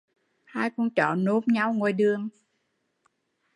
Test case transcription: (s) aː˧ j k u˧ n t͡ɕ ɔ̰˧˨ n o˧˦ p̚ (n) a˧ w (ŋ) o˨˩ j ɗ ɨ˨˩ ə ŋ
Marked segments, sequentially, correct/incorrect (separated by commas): incorrect, incorrect, correct